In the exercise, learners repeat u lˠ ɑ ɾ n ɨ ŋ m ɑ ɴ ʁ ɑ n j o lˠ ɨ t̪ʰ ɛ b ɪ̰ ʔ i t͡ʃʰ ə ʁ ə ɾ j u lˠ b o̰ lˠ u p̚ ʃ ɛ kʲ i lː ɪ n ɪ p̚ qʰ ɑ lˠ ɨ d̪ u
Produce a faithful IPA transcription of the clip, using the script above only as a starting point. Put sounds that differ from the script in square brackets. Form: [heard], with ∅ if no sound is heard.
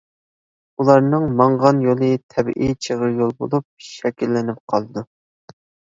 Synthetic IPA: u lˠ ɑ ɾ n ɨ ŋ m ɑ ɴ ʁ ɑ n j o lˠ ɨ t̪ʰ ɛ b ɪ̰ ʔ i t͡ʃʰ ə ʁ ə ɾ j [o] lˠ b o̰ lˠ u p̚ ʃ ɛ kʲ i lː ɪ n ɪ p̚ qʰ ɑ lˠ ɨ d̪ u